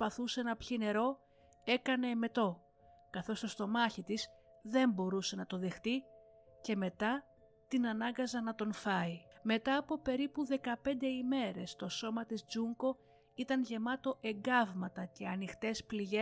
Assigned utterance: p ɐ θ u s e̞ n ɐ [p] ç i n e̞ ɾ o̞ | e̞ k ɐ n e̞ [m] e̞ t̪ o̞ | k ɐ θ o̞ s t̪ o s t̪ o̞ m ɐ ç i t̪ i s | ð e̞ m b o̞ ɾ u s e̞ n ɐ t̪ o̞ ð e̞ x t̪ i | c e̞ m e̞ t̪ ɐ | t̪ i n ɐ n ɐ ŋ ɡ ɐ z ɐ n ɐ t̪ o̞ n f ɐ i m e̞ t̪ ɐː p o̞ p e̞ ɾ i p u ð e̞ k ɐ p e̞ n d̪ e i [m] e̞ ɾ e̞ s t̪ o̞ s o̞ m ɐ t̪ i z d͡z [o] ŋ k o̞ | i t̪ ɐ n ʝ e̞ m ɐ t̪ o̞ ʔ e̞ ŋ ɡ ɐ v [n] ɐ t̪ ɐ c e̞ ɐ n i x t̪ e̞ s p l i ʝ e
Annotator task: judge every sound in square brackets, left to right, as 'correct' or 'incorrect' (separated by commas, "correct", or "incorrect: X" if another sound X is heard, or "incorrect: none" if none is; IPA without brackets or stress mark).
correct, correct, correct, incorrect: u, incorrect: m